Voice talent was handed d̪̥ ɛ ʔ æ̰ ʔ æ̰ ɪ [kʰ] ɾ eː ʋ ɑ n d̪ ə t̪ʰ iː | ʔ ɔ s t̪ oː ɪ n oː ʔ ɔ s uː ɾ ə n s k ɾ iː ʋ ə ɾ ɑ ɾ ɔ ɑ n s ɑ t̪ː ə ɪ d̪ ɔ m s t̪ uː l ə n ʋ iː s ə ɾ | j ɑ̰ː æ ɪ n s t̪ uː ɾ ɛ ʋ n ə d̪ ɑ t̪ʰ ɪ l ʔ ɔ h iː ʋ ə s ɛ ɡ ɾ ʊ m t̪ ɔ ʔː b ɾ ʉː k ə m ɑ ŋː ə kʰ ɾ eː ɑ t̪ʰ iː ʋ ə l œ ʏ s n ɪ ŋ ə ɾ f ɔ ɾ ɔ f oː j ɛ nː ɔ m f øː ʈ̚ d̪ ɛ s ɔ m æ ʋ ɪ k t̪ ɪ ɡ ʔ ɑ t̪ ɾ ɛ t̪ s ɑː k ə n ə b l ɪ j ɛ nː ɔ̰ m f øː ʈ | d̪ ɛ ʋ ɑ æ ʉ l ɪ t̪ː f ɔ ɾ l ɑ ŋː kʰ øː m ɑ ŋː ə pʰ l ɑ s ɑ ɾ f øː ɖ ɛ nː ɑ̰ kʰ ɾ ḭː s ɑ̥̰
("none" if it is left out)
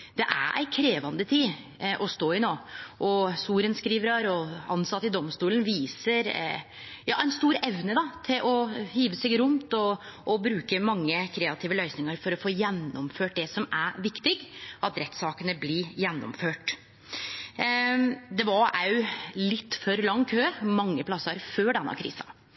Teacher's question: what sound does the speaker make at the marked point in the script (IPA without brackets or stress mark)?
kʰ